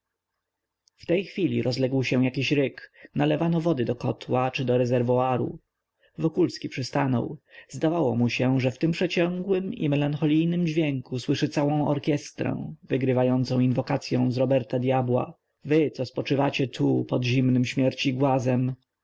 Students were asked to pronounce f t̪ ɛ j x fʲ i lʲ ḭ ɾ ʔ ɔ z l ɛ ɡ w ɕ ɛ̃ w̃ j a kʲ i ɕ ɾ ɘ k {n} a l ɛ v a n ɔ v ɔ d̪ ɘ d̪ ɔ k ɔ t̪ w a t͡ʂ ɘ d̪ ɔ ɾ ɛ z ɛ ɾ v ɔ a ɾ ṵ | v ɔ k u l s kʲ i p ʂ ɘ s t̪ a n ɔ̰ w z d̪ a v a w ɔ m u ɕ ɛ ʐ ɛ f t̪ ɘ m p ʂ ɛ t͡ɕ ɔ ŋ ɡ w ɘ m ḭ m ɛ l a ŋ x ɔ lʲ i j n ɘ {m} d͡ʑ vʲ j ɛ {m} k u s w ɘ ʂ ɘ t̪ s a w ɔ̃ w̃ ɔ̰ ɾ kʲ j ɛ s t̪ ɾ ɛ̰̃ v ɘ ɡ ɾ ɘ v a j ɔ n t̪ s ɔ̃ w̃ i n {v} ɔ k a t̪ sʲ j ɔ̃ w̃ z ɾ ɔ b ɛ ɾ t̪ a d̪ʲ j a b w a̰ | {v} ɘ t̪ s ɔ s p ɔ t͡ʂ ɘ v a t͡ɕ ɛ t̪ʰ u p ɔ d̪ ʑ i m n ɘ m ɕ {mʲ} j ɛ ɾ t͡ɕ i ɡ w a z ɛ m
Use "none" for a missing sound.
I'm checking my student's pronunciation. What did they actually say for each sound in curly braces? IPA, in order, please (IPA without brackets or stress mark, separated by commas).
n, m, ŋ, v, v, mʲ